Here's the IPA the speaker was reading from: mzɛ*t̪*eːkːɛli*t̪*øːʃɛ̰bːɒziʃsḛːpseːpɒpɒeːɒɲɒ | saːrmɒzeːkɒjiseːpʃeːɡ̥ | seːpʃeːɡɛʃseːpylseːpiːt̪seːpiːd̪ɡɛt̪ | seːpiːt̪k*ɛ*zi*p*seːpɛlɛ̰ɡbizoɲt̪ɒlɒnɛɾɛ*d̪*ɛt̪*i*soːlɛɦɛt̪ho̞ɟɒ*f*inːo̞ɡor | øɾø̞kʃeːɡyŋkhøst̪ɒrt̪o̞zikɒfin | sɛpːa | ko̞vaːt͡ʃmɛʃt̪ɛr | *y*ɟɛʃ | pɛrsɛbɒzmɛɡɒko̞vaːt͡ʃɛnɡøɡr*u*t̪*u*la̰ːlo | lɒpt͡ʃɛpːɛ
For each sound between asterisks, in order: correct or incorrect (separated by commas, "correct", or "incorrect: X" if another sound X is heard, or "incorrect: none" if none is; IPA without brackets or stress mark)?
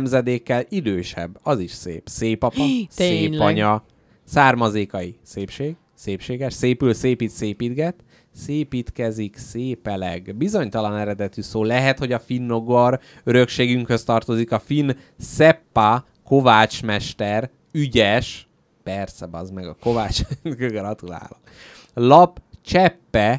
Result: incorrect: d̪, incorrect: d̪, correct, incorrect: k, correct, incorrect: y, correct, correct, incorrect: ɒ, correct